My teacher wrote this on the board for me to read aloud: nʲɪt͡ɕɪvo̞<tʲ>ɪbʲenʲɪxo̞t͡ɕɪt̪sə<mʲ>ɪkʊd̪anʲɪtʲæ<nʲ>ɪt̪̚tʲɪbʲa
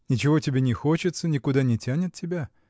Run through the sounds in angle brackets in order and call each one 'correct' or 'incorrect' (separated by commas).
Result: correct, incorrect, correct